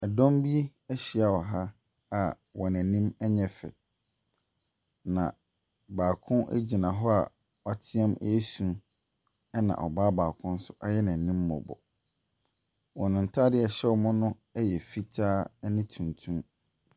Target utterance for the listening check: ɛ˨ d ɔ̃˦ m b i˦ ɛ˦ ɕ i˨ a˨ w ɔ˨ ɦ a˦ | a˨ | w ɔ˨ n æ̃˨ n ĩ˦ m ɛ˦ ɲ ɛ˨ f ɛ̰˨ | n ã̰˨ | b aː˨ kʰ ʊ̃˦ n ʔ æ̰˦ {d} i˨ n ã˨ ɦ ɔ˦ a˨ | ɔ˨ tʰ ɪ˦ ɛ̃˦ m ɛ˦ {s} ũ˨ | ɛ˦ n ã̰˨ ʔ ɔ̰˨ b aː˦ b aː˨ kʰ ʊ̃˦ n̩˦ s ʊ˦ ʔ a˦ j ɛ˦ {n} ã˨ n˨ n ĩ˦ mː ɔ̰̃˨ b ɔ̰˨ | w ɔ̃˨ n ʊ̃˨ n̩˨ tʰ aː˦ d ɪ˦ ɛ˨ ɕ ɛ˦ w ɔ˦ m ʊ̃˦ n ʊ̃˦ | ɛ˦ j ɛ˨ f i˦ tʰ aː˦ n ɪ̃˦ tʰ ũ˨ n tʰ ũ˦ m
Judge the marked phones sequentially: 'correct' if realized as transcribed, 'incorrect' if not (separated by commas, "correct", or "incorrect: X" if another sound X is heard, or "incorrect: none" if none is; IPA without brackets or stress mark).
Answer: incorrect: d͡ʑ, correct, correct